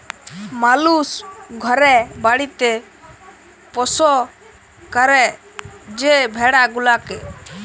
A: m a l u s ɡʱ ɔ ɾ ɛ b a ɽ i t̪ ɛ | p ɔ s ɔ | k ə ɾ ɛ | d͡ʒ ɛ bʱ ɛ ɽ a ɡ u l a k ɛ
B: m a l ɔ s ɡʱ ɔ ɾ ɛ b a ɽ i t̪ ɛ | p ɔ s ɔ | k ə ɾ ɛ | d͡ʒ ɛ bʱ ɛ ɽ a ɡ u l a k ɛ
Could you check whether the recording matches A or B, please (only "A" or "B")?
A